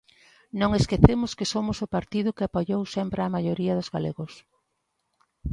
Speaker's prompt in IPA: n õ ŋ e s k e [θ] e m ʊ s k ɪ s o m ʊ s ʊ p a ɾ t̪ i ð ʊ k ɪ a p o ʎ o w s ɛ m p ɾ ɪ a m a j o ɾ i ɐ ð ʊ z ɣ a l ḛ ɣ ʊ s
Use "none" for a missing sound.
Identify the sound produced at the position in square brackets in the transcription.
θ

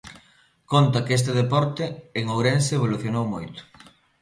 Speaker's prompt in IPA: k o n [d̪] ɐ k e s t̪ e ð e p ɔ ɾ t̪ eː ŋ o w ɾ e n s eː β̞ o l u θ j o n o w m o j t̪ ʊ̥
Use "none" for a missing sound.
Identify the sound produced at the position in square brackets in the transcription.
t̪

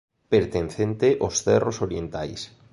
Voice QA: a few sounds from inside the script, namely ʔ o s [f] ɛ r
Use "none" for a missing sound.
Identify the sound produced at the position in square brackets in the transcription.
θ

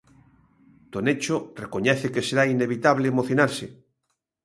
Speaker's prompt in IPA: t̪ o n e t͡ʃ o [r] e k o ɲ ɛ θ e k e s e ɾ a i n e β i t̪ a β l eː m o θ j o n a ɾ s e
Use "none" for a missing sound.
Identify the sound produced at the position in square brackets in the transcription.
r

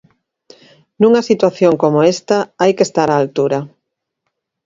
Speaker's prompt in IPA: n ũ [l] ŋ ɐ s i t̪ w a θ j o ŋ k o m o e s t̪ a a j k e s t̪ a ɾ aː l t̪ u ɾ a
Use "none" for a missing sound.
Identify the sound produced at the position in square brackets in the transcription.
none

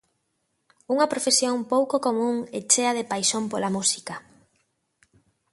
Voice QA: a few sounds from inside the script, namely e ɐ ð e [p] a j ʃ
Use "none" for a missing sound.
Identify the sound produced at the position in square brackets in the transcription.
p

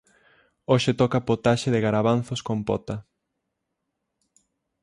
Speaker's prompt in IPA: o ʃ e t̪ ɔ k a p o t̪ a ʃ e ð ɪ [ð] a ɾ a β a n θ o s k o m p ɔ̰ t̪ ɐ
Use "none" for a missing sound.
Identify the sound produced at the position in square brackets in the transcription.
ɣ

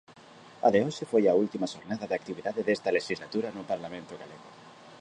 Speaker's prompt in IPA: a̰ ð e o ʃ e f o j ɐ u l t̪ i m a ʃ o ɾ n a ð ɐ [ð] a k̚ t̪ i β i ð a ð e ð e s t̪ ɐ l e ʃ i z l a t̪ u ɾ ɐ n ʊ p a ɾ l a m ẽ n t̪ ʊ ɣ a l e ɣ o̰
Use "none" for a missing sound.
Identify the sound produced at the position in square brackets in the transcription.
ð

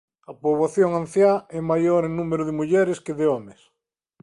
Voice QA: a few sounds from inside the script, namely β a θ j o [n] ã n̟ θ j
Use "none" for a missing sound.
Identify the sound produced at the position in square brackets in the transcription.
ŋ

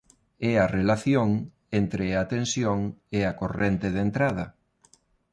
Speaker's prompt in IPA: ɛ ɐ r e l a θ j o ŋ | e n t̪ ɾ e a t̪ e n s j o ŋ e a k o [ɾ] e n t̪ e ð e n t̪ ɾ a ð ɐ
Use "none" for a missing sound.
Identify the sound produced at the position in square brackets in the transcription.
r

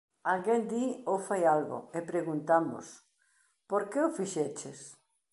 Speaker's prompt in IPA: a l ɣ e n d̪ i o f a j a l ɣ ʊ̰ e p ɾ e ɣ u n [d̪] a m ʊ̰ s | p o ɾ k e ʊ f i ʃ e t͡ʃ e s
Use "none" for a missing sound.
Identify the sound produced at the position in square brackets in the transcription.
t̪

